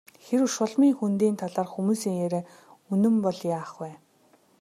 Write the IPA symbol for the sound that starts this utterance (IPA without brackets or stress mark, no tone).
x